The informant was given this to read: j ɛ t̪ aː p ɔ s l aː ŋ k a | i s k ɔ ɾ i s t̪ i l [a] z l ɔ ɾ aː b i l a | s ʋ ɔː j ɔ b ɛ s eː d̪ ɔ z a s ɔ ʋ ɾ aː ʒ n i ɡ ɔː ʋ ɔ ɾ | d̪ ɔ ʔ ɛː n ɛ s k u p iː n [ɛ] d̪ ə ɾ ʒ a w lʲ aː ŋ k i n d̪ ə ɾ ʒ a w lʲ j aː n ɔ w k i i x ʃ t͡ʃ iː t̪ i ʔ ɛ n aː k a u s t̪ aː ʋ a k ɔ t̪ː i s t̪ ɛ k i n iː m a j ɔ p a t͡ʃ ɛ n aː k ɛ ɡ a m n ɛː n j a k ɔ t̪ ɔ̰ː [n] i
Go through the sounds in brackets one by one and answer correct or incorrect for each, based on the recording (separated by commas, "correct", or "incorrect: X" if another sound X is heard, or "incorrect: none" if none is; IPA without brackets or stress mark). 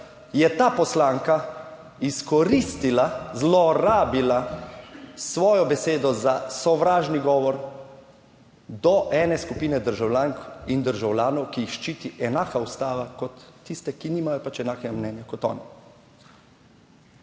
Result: correct, correct, correct